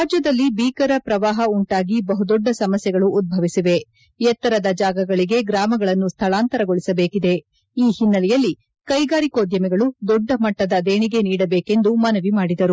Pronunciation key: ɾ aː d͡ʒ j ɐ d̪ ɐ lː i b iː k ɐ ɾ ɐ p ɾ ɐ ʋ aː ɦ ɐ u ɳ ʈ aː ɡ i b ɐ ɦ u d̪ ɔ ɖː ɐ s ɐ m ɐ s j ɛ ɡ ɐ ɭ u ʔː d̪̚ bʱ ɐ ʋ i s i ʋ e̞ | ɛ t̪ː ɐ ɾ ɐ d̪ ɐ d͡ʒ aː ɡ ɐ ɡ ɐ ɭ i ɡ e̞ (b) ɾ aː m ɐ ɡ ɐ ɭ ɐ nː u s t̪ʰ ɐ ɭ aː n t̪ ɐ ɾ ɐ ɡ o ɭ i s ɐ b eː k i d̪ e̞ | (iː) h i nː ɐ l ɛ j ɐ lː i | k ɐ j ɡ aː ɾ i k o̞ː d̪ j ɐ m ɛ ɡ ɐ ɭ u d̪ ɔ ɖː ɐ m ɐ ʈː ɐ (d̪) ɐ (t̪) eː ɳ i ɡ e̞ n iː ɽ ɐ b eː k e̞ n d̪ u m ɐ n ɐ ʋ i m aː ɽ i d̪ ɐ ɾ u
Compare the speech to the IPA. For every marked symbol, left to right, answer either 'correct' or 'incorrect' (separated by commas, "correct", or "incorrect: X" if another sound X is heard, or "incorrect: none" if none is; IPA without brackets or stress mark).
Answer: incorrect: ɡ, correct, correct, incorrect: d̪